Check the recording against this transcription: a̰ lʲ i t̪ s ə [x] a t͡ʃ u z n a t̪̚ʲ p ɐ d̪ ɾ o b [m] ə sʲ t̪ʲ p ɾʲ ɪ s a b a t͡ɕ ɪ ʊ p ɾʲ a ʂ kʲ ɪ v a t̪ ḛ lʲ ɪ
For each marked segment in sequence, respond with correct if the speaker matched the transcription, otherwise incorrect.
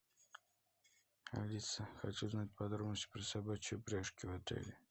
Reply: correct, incorrect

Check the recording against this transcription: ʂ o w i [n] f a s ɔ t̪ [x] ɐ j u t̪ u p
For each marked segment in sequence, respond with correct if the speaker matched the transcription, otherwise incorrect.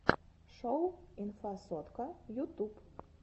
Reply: correct, incorrect

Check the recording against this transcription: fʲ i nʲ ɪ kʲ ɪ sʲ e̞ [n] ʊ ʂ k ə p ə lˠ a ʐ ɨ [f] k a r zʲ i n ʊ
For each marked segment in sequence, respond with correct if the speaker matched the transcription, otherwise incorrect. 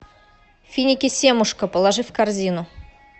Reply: incorrect, correct

